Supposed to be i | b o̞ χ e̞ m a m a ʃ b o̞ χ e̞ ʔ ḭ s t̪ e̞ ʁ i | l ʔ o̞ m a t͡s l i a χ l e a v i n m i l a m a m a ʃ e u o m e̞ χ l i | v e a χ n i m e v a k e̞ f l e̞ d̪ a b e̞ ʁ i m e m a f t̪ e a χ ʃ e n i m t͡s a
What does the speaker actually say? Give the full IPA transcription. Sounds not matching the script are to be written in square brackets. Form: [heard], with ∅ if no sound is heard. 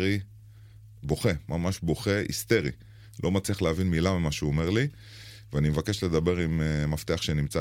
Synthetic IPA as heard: i | b o̞ χ e̞ m a m a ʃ b o̞ χ e̞ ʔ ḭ s t̪ e̞ ʁ i | l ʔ o̞ m a t͡s l i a χ l e a v i n m i l a m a m a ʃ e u o m e̞ [ʁ] l i | v e a [∅] n i m e v a k e̞ [ʃ] l e̞ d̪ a b e̞ ʁ i m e m a f t̪ e a χ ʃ e n i m t͡s a